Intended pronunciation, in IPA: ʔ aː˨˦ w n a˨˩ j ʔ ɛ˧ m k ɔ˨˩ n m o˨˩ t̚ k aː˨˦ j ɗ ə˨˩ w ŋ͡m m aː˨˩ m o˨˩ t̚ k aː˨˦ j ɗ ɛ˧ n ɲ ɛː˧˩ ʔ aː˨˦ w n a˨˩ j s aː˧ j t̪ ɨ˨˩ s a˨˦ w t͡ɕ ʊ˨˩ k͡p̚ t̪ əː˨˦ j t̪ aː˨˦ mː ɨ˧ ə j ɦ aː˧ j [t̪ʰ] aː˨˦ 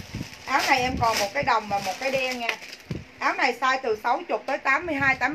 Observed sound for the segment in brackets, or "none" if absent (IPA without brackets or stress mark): t̪